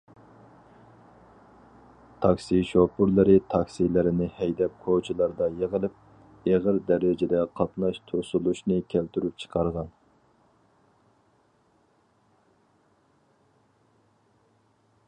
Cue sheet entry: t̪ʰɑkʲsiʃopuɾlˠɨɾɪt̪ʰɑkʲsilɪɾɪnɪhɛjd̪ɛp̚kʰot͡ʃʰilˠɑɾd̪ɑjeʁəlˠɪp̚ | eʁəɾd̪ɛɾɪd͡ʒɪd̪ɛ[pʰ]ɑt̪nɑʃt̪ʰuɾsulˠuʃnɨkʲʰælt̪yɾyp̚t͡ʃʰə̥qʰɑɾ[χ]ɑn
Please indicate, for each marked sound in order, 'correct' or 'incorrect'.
incorrect, incorrect

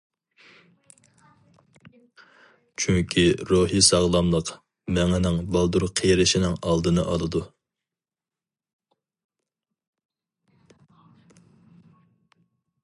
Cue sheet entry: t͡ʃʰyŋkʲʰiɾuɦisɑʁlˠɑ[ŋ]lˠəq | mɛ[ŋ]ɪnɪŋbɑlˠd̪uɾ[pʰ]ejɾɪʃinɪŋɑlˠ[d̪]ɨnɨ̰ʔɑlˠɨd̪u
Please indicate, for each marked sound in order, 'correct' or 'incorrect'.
incorrect, correct, incorrect, correct

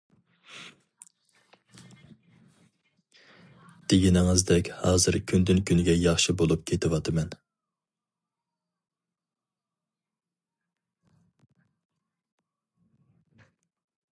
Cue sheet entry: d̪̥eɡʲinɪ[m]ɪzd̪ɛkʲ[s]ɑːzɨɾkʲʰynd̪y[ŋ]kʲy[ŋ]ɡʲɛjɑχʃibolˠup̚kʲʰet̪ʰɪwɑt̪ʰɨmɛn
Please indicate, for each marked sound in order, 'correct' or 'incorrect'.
incorrect, incorrect, incorrect, incorrect

